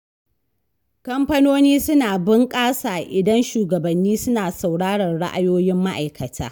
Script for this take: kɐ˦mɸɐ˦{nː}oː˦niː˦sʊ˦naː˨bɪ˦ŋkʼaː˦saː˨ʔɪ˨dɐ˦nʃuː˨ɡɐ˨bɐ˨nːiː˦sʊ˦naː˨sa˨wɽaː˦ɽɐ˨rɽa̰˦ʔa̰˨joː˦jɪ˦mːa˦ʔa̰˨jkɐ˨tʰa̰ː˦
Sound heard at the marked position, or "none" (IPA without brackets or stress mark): n